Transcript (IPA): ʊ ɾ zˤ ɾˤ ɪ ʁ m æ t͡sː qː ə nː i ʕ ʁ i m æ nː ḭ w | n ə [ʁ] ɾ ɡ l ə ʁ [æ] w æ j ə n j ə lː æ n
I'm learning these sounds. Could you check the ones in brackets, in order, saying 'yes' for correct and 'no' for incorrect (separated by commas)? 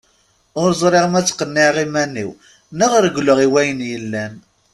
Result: yes, no